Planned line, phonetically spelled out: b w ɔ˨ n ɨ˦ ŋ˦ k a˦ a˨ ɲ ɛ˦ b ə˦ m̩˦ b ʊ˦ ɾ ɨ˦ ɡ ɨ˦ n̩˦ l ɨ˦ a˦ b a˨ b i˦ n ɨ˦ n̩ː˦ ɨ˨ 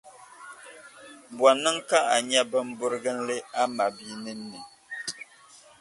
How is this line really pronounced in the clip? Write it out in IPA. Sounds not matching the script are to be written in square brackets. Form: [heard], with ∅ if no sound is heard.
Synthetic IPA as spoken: b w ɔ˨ n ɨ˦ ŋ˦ k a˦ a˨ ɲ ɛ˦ b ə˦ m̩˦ b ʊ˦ ɾ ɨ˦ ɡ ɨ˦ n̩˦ l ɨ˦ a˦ [m] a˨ b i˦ n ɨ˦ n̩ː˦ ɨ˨